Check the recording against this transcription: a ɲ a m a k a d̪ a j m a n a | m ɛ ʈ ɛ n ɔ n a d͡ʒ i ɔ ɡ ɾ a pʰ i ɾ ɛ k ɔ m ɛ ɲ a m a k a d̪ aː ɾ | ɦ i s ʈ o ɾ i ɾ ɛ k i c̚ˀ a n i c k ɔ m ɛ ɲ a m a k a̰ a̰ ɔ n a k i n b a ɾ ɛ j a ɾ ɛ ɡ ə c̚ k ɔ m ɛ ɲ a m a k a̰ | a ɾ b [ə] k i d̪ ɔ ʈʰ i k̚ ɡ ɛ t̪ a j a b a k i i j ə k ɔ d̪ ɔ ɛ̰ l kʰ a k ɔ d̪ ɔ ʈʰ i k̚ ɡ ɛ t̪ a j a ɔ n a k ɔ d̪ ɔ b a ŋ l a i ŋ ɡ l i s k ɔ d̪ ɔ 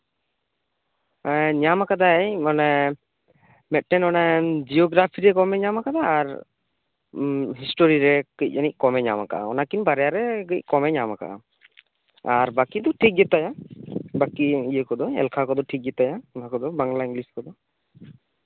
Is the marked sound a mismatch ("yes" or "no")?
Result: yes